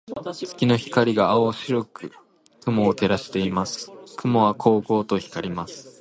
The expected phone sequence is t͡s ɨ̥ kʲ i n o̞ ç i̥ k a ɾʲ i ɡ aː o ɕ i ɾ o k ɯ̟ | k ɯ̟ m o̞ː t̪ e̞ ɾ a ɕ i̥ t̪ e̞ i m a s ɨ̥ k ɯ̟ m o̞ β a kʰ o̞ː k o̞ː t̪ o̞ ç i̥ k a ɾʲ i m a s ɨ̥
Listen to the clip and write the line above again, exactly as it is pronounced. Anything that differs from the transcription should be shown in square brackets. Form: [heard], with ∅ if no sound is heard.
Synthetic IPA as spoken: t͡s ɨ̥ kʲ i n o̞ ç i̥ k a ɾʲ i ɡ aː o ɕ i ɾ o k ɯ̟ | k ɯ̟ m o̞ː t̪ e̞ ɾ a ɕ i̥ t̪ e̞ i m a s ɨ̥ k ɯ̟ m o̞ β a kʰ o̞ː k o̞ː t̪ o̞ ç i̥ k a ɾʲ i m a s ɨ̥